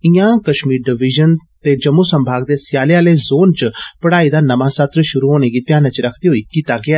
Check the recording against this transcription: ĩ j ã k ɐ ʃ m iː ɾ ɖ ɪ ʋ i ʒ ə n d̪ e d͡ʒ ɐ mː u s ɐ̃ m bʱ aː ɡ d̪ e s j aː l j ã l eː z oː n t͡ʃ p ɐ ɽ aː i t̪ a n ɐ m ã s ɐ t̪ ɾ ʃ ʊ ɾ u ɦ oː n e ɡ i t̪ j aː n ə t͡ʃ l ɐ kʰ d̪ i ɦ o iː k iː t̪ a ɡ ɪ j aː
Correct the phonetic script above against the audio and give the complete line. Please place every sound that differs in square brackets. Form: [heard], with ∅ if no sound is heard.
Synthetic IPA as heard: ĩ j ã k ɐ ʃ m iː ɾ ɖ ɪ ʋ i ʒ ə n [t̪] e d͡ʒ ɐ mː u s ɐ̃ m bʱ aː ɡ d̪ e s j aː l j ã l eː z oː n t͡ʃ p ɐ ɽ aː i [d̪] a n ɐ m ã s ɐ t̪ ɾ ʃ ʊ ɾ u ɦ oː n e ɡ i t̪ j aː n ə t͡ʃ [ɾ] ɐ kʰ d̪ i ɦ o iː k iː t̪ a ɡ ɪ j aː